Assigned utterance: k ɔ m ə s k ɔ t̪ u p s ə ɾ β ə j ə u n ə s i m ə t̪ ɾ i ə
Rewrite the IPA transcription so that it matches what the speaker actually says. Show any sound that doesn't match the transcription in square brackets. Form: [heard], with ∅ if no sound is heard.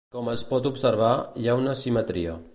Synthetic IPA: k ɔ m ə s [p] ɔ t̪ u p s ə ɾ β [a] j [a] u n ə s i m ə t̪ ɾ i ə